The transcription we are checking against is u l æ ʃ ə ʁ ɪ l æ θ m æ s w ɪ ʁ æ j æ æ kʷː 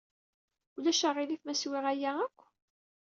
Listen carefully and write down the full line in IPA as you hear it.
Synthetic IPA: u l æ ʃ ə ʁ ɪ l i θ m æ s w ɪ ʁ æ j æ æ kʷː